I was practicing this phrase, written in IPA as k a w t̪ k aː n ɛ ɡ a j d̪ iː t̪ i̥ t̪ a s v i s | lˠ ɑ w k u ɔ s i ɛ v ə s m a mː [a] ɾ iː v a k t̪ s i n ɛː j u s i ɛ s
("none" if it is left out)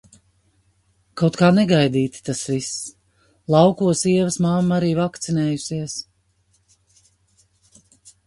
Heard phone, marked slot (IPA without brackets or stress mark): a